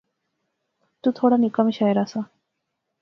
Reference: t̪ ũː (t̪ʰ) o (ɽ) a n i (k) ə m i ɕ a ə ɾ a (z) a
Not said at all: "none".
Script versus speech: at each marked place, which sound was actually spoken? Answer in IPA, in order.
t̪ʰ, ɽ, k, s

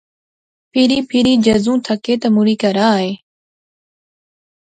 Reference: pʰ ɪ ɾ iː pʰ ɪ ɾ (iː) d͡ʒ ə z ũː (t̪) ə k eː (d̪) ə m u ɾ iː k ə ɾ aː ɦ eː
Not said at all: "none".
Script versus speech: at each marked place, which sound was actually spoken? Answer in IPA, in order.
iː, t̪ʰ, t̪

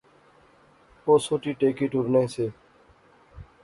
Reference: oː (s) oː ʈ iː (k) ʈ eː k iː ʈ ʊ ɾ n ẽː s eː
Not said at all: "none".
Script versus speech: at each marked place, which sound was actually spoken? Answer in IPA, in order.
s, none

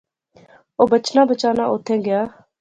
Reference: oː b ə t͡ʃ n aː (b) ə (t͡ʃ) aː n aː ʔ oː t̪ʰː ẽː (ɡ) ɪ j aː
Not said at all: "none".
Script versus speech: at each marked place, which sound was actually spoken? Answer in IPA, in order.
b, t͡ʃ, ɡ

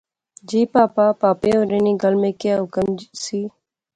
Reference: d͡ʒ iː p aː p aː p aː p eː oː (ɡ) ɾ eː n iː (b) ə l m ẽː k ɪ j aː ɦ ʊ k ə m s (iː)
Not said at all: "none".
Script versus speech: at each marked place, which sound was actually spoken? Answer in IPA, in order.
none, ɡ, iː

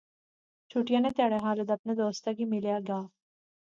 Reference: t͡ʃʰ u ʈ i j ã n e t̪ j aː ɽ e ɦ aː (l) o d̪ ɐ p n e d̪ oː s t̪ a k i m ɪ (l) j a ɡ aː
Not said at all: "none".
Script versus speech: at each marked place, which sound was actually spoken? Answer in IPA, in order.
l, l

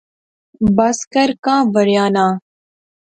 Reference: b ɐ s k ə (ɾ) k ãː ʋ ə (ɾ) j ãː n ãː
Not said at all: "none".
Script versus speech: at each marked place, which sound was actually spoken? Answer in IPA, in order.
ɾ, ɾ

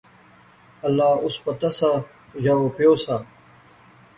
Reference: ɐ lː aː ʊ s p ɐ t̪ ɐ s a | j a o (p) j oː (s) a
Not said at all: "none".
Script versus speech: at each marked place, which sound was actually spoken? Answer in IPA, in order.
p, s

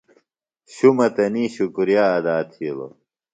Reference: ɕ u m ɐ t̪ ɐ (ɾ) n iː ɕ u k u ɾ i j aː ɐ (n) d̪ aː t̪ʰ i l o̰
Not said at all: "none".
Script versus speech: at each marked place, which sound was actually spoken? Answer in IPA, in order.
none, none

